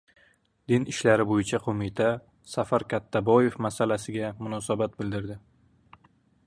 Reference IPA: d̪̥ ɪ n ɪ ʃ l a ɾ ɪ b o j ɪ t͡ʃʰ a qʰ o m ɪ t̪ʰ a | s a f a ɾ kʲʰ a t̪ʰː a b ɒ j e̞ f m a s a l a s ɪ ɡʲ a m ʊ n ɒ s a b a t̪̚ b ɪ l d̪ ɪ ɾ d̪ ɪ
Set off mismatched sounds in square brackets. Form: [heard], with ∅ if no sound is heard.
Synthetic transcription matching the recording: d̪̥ ɪ n ɪ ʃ l a ɾ ɪ b o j ɪ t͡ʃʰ a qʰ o m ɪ t̪ʰ a | s a f a ɾ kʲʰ a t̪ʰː a b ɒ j e̞ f m a s a l a s ɪ ɡʲ a m ʊ n ɒ s a b a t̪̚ b ɪ l d̪ ɪ ɾ d̪ ɪ